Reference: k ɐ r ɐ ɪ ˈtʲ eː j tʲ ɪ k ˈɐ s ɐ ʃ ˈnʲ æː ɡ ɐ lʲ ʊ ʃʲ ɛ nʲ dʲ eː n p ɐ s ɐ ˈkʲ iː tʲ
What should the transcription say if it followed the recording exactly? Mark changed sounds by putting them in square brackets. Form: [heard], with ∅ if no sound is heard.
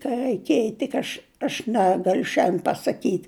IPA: k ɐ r ɐ ɪ [ˈkʲ] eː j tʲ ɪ k ˈɐ [ʃ] ɐ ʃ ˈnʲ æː ɡ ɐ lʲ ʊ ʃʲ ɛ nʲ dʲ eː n p ɐ s ɐ ˈkʲ iː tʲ